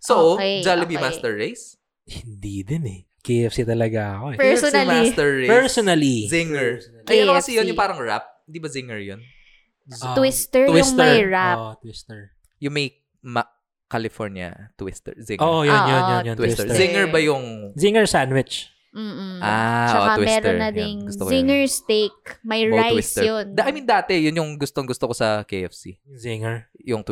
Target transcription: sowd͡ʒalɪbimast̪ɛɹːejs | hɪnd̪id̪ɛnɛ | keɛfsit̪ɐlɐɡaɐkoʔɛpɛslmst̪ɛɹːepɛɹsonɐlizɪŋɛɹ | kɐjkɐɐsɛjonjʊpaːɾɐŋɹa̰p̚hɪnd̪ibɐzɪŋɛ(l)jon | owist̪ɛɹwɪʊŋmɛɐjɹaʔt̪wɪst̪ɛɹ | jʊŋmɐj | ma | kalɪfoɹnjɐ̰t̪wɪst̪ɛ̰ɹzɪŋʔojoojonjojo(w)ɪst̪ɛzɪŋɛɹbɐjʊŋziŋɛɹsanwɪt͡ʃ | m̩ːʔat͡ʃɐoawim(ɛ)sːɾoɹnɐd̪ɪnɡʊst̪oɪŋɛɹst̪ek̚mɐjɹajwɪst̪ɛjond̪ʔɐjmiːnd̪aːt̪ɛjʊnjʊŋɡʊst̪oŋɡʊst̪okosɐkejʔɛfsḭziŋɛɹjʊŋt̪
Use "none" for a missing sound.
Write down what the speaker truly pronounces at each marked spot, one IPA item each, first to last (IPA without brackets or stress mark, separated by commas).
ɹ, w, ɛ